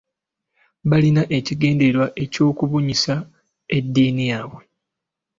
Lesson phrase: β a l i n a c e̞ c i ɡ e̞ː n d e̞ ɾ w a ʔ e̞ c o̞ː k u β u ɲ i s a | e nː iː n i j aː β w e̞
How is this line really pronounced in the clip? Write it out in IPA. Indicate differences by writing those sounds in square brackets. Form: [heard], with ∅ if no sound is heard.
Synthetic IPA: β a l i n a [ʔ] e̞ c i ɡ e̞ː n d e̞ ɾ w a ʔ e̞ c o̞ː k u β u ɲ i s a | e [dː] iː n i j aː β w e̞